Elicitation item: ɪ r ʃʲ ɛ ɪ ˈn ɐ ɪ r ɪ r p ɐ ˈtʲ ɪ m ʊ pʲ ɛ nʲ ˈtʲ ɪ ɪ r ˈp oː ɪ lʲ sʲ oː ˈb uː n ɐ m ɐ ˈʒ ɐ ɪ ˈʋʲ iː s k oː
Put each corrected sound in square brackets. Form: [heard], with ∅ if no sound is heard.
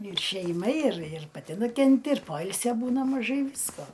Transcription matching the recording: ɪ r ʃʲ ɛ ɪ [ˈm] ɐ ɪ r ɪ r p ɐ ˈtʲ ɪ [n] ʊ [kʲ] ɛ nʲ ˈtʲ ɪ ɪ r ˈp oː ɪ lʲ sʲ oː ˈb uː n ɐ m ɐ ˈʒ ɐ ɪ ˈʋʲ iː s k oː